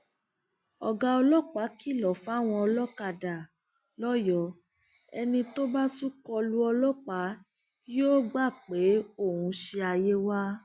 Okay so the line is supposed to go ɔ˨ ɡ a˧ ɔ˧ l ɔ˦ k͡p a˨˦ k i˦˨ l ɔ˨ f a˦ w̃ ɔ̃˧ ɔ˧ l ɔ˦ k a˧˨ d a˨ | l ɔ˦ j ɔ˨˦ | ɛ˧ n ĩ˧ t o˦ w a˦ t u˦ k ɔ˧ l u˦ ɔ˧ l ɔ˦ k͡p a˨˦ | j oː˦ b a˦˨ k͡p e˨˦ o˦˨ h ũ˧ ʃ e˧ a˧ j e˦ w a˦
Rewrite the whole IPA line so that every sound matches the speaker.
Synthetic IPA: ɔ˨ ɡ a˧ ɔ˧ l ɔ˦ k͡p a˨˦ k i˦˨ l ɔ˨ f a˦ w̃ ɔ̃˧ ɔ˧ l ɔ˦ k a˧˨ d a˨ | l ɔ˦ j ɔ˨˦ | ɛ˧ n ĩ˧ t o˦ b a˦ t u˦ k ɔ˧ l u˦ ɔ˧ l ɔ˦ k͡p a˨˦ | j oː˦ ɡ͡b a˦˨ k͡p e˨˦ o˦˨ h ũ˧ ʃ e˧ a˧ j e˦ w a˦